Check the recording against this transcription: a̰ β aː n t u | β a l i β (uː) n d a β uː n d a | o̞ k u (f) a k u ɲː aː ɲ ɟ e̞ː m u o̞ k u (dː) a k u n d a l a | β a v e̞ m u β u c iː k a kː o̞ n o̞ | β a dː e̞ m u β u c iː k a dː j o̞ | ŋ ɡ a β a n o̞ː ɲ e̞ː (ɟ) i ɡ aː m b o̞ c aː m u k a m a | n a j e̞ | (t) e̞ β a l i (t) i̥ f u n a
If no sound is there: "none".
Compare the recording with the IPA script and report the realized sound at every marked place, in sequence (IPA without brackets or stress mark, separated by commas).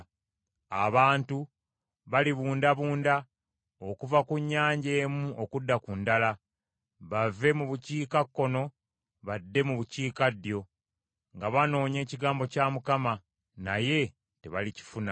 uː, v, dː, c, t, c